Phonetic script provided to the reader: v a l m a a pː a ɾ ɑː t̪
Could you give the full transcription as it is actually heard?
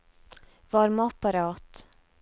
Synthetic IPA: v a ɾ m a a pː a ɾ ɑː t̪